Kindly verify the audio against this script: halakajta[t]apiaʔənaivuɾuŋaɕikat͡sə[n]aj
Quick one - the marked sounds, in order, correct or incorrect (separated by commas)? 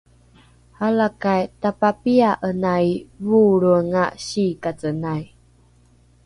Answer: incorrect, correct